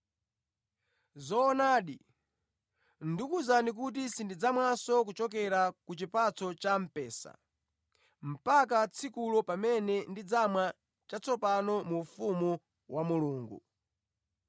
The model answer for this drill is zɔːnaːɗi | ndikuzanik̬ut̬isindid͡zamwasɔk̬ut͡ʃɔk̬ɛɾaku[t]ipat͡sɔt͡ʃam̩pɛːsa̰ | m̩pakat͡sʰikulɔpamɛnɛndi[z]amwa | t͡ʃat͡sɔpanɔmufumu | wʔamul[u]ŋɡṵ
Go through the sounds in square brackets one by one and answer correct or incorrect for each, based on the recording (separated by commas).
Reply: incorrect, incorrect, incorrect